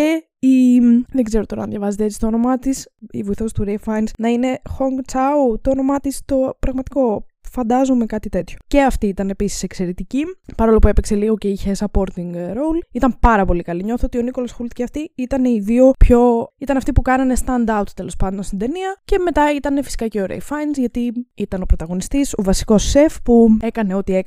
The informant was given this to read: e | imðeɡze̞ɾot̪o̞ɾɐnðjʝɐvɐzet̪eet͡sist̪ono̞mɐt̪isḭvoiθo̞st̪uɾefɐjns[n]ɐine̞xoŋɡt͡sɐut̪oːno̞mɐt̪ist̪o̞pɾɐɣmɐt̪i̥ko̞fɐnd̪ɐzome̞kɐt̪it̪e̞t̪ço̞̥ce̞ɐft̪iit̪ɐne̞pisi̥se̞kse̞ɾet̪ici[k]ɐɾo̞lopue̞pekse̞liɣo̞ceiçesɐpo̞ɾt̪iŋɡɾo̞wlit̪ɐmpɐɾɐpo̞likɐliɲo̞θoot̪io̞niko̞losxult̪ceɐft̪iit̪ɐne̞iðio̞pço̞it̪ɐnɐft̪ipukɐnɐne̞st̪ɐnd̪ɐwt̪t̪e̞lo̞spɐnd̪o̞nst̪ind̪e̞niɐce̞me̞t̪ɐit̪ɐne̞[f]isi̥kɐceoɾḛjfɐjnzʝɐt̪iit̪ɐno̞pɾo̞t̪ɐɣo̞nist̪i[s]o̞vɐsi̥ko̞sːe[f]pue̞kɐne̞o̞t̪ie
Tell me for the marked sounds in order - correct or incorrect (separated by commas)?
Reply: correct, incorrect, correct, correct, correct